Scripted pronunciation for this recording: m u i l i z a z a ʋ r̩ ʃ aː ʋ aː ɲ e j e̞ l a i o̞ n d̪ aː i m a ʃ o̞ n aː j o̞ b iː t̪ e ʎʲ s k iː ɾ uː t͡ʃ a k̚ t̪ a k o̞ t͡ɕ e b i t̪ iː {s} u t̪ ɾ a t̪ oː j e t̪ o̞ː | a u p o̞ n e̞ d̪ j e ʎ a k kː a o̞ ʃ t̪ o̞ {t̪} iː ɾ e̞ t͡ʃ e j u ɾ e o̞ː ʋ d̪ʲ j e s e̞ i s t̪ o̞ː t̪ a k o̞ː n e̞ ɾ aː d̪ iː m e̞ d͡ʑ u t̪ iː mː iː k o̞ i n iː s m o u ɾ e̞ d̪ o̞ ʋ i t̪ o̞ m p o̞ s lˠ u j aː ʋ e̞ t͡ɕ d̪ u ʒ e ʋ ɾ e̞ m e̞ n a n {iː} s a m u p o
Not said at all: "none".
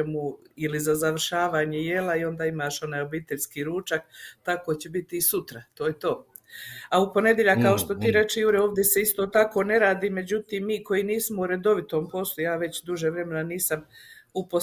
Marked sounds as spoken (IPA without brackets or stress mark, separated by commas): s, t̪, iː